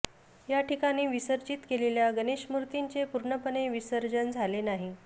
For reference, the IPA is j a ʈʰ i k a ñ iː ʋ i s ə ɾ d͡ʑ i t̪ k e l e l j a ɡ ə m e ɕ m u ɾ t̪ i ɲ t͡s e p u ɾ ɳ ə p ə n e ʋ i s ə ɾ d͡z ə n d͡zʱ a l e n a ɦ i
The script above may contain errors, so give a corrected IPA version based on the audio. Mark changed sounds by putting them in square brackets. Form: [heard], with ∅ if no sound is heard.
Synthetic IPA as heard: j a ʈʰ i k a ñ iː ʋ i s ə ɾ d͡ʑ i t̪ k e l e l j a ɡ ə [n] e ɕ m u ɾ t̪ i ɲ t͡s e p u ɾ ɳ ə p ə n e ʋ i s ə ɾ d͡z ə n d͡zʱ a l e n a ɦ i